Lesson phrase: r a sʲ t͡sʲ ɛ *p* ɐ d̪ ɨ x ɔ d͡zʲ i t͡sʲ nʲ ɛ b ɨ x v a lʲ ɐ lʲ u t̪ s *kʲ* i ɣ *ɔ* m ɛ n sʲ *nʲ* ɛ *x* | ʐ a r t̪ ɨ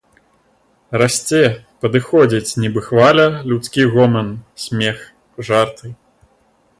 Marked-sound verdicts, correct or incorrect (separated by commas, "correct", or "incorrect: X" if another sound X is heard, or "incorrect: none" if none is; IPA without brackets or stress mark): correct, correct, correct, incorrect: mʲ, correct